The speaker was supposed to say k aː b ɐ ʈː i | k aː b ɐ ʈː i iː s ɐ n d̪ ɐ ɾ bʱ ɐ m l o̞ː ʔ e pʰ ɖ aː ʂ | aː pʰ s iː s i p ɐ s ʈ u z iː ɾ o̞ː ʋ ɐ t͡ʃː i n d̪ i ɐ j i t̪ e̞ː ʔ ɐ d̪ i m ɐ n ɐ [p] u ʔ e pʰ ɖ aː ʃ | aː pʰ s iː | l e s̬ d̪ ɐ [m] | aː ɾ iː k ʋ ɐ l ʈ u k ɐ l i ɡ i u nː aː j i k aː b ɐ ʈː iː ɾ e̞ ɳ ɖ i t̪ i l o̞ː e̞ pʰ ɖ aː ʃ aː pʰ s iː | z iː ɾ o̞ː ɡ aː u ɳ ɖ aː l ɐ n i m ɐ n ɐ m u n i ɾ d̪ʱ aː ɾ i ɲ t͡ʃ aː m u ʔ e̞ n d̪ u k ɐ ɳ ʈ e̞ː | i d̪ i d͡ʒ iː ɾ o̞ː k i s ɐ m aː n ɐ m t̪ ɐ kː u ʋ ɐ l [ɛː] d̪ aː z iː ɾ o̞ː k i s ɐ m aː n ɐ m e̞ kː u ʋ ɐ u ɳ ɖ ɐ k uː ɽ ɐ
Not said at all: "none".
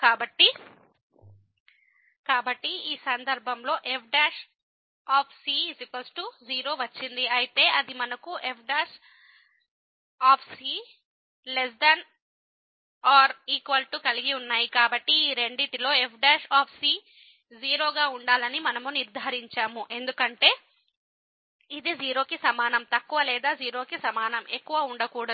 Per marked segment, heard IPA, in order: k, n, ɛː

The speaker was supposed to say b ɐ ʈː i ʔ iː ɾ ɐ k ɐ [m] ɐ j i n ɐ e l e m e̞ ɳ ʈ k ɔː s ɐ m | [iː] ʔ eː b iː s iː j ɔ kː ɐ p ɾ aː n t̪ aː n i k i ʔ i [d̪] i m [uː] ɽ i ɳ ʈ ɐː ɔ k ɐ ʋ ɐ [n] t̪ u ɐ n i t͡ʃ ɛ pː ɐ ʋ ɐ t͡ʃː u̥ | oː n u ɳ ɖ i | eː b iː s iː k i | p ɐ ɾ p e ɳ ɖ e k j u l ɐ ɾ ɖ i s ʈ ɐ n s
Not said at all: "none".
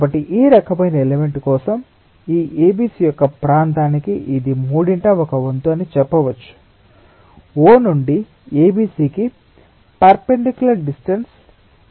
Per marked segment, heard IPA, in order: m, iː, d̪, uː, n

